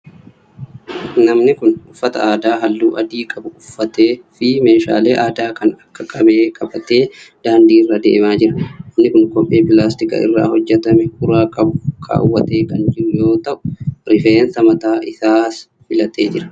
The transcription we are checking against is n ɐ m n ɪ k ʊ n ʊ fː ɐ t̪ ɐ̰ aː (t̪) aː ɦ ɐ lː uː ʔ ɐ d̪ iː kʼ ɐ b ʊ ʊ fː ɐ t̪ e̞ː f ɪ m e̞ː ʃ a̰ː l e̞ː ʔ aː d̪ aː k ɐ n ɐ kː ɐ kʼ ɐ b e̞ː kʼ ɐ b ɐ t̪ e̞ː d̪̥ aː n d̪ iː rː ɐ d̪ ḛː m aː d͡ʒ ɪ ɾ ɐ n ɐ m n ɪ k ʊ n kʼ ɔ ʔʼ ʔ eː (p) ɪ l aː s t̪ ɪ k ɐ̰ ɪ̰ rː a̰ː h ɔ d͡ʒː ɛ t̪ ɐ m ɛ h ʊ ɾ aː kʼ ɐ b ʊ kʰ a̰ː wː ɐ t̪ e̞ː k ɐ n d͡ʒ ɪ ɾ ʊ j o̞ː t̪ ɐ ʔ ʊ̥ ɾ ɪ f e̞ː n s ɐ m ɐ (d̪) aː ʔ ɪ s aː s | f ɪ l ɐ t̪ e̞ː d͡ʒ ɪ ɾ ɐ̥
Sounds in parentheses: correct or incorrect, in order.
incorrect, correct, incorrect

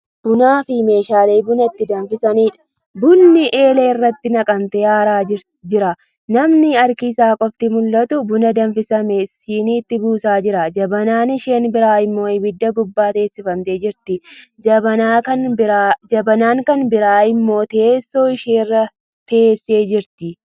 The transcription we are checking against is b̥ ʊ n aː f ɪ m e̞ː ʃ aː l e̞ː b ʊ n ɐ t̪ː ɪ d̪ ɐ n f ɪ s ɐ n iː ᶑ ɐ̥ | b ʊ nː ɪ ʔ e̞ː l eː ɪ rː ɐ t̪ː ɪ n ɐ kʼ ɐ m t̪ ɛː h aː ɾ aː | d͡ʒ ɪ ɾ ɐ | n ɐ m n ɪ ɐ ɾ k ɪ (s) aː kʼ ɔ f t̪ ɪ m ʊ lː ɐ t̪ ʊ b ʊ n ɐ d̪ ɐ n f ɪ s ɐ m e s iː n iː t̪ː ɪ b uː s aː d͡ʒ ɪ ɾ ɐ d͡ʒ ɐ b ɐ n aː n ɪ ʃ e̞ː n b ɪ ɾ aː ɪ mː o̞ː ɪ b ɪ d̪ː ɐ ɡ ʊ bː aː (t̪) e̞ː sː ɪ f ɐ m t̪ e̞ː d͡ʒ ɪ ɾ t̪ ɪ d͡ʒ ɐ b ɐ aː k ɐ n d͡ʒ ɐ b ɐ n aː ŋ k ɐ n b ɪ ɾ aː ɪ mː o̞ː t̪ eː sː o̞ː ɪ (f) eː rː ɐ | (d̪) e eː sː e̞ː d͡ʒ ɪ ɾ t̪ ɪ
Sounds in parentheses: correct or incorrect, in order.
correct, correct, incorrect, incorrect

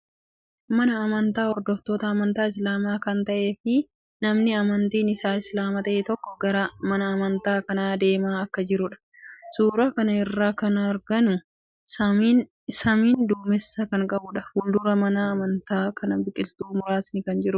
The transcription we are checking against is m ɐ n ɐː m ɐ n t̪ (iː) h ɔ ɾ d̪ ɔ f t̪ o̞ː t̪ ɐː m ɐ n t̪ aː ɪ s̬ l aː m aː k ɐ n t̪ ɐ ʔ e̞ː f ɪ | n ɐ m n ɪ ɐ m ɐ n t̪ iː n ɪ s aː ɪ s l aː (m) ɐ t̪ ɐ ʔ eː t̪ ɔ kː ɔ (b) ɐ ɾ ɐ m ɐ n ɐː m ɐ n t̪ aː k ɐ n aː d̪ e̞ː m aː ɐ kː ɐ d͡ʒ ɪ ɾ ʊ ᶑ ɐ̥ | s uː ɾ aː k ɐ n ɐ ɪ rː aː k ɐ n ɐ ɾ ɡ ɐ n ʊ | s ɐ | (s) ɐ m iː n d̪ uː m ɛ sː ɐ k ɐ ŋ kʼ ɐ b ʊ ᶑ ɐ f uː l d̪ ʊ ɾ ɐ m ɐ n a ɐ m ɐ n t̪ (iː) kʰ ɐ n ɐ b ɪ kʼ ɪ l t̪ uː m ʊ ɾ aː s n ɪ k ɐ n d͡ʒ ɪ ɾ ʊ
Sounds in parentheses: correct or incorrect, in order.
incorrect, correct, incorrect, correct, incorrect

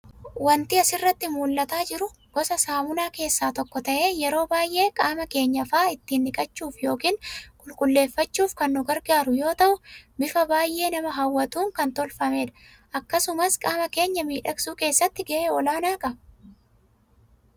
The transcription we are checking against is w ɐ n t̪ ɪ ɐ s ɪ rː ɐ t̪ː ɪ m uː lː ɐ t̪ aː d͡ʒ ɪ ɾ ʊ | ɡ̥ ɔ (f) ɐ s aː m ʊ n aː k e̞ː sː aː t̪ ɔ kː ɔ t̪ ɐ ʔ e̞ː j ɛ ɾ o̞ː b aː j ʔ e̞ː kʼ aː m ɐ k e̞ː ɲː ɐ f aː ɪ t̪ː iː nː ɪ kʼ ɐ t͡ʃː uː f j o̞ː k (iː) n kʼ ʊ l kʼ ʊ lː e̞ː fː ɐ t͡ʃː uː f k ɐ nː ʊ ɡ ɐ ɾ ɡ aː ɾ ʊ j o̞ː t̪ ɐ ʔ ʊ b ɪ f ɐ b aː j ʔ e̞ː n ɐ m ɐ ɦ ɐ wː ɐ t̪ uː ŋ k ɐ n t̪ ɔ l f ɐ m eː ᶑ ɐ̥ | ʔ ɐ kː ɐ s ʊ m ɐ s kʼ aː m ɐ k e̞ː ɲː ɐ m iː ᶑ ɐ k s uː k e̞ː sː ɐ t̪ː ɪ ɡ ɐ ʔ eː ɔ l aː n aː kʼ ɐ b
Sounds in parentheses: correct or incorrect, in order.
incorrect, correct

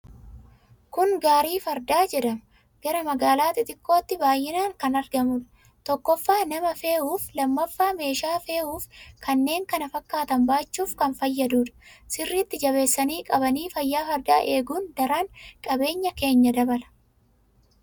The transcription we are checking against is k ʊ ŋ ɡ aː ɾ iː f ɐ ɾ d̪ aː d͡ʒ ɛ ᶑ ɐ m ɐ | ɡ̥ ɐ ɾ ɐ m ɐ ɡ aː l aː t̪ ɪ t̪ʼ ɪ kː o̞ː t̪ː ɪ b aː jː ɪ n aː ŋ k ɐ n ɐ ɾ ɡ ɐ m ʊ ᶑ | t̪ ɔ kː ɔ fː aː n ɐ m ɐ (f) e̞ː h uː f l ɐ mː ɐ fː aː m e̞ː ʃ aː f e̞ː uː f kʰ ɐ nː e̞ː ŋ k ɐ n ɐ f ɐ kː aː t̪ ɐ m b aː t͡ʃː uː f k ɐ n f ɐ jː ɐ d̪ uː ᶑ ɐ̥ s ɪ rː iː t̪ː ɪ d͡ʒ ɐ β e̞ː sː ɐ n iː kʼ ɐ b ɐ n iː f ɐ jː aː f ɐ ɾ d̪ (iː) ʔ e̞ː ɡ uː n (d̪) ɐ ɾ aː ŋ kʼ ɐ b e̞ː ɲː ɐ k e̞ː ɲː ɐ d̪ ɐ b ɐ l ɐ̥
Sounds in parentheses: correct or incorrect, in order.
correct, incorrect, correct

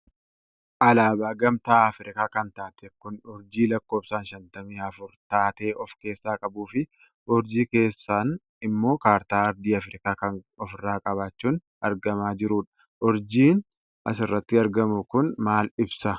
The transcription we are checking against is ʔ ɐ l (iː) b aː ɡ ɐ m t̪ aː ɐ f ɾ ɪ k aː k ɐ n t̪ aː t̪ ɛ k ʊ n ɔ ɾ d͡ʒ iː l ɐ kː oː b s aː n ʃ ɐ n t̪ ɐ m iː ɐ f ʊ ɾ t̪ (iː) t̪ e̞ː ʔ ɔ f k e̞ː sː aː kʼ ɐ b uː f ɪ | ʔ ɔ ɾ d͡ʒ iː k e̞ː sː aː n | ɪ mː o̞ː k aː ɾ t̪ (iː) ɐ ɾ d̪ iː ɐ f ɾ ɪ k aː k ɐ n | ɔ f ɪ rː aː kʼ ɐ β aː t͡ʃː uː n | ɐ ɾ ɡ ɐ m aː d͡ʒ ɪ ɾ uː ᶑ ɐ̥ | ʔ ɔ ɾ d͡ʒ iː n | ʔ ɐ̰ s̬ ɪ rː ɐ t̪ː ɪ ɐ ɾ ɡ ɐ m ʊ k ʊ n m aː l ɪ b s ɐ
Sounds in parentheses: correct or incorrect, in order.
incorrect, incorrect, incorrect

